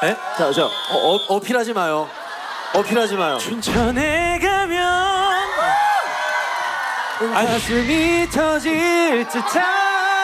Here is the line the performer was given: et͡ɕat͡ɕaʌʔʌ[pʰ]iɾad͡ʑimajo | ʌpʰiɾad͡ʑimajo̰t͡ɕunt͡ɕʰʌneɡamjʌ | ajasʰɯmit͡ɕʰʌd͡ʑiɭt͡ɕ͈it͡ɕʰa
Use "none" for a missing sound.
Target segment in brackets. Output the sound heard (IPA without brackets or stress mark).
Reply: pʰ